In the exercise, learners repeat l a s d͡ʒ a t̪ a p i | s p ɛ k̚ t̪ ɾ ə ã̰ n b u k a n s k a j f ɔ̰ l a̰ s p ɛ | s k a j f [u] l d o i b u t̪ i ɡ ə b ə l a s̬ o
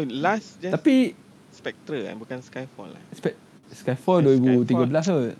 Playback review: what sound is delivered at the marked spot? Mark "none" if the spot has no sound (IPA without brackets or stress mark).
ɔ